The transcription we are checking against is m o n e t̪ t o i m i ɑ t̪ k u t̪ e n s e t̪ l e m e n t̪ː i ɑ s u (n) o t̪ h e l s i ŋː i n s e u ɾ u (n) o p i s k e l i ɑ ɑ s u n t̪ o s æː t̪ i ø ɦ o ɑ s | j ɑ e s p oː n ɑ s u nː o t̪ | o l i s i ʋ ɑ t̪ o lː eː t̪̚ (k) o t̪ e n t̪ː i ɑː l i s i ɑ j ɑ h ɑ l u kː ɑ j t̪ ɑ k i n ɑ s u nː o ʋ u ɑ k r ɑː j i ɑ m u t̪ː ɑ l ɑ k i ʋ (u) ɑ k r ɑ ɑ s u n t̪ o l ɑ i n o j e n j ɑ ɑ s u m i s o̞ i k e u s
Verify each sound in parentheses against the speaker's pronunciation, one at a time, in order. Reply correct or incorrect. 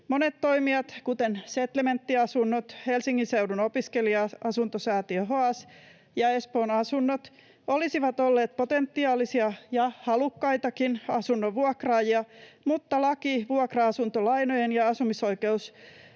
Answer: incorrect: nː, correct, incorrect: p, correct

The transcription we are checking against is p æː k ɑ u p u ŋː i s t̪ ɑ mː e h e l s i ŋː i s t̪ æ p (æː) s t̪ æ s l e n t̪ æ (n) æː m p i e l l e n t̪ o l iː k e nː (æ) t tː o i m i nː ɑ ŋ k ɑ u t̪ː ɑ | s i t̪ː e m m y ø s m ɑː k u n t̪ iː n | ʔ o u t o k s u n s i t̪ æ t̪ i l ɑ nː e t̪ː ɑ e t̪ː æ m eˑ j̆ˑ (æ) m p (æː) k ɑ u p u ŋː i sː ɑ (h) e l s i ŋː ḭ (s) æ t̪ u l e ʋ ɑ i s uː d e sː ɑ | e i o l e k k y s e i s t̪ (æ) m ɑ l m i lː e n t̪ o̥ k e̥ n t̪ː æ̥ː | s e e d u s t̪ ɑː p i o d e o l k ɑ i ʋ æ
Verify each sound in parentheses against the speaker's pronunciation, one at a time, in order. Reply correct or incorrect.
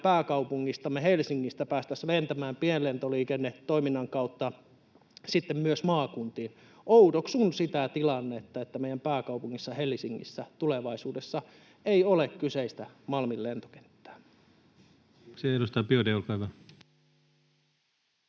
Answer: correct, incorrect: m, incorrect: e, correct, correct, correct, incorrect: sː, correct

